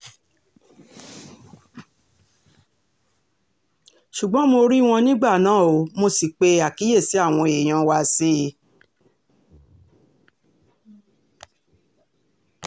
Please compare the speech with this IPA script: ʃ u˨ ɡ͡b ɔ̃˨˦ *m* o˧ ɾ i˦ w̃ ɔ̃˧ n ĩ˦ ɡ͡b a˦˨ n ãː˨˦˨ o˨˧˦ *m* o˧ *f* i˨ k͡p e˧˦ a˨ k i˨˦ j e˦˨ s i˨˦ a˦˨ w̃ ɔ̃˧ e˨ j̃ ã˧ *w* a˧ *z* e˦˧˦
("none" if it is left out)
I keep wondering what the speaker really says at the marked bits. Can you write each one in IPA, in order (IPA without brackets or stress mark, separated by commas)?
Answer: m, m, s, w, s